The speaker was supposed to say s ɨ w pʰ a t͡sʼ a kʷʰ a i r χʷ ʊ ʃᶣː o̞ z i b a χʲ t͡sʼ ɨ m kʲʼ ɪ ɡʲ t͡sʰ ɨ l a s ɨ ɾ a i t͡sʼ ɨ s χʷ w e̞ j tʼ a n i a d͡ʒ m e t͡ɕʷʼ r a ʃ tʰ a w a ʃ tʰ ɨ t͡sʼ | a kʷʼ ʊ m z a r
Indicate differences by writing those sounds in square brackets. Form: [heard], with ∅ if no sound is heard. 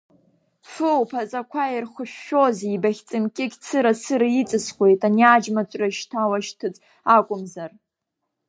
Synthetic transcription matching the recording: [f] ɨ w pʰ a t͡sʼ a kʷʰ a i r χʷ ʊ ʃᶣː o̞ z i b a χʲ t͡sʼ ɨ m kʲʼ ɪ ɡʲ t͡sʰ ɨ [ɾ] a s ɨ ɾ a i t͡sʼ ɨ s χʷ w e̞ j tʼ a n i a d͡ʒ m [a] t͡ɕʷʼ r a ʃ tʰ a w a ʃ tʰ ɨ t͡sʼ | a kʷʼ ʊ m z a r